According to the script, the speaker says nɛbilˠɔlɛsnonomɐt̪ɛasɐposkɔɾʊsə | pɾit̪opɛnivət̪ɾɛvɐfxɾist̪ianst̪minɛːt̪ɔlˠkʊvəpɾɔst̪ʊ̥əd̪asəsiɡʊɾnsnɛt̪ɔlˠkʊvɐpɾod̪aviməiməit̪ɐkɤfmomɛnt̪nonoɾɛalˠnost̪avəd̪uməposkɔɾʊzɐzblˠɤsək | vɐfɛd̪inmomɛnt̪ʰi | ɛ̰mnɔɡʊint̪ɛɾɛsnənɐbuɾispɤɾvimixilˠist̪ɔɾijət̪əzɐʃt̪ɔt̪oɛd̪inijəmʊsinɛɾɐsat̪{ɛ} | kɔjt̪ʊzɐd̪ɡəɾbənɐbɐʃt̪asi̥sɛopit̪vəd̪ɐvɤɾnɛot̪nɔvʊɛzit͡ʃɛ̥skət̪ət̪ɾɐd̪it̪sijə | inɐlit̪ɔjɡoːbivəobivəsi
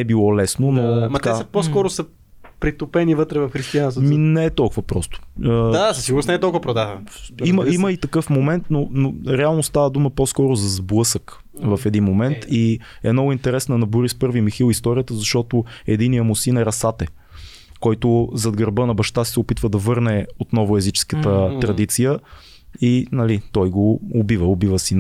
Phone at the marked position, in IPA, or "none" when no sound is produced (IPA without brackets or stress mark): ɛ